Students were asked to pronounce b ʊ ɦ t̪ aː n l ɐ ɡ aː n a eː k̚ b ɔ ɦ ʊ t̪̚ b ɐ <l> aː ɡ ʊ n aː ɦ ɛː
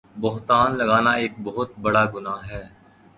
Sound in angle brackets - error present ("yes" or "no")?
yes